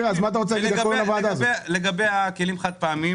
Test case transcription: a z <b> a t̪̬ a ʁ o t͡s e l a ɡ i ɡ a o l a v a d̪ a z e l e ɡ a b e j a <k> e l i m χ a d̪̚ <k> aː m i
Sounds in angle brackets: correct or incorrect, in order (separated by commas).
incorrect, correct, incorrect